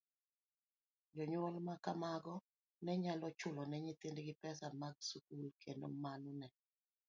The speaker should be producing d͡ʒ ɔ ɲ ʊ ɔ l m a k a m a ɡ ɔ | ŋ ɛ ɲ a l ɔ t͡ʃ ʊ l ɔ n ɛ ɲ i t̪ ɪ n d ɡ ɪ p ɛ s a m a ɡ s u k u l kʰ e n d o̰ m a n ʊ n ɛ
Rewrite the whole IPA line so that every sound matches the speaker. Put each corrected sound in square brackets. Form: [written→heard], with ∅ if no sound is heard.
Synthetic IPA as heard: d͡ʒ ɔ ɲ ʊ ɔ l m a k a m a ɡ ɔ | [ŋ→n] ɛ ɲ a l ɔ t͡ʃ ʊ l ɔ n ɛ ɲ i t̪ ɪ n d ɡ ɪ p ɛ s a m a ɡ s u k u l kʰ e n d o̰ m a n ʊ n ɛ